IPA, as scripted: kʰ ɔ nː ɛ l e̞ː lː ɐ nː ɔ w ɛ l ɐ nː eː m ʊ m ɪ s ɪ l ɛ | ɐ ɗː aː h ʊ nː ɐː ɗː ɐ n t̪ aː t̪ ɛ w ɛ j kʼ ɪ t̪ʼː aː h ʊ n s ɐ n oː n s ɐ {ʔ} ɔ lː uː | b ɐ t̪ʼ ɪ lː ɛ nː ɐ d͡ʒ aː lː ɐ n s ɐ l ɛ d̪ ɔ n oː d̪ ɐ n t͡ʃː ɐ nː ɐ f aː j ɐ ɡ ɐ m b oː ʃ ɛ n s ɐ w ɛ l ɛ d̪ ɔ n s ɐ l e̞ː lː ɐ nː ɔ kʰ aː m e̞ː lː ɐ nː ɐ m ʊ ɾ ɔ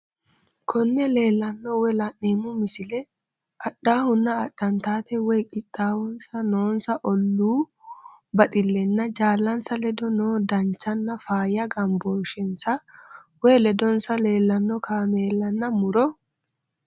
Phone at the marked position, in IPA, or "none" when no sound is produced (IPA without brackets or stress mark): ʔ